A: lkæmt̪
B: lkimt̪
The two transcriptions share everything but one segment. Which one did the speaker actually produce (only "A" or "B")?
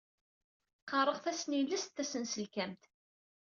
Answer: A